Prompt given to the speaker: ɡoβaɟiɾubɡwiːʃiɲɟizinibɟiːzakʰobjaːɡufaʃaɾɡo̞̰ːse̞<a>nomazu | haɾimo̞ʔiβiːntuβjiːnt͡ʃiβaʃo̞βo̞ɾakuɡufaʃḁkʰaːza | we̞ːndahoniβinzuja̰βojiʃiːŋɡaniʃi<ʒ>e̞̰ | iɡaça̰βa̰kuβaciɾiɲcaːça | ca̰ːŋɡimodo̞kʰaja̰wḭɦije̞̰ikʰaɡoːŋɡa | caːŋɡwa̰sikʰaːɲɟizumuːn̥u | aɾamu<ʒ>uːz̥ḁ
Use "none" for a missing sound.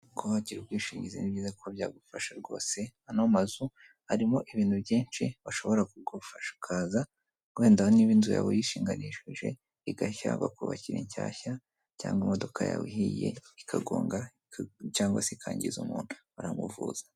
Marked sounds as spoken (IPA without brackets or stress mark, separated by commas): a, ʒ, v